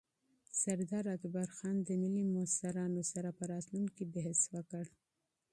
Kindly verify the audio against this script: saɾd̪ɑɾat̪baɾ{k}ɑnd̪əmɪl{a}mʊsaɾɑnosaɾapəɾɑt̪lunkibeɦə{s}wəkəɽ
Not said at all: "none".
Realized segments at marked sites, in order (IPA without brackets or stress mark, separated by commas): x, i, s